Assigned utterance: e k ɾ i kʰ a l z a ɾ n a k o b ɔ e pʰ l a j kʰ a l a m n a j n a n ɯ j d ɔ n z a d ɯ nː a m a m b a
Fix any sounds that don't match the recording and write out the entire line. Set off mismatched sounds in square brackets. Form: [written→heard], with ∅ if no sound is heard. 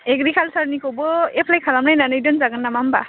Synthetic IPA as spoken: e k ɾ i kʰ a l [z→s] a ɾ n [a→i] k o b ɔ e pʰ l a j kʰ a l a m n a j n a n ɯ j d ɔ n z a [d→ɡ] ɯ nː a m a m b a